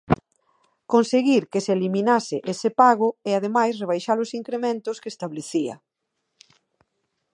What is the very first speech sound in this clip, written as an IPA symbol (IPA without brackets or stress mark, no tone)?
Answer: k